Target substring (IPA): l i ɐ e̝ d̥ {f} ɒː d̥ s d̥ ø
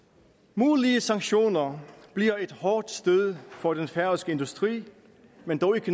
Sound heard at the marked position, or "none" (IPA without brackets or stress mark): h